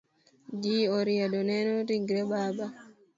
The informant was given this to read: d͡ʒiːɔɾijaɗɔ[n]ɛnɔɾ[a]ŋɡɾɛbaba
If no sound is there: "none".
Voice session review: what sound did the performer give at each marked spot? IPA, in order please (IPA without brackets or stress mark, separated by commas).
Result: n, i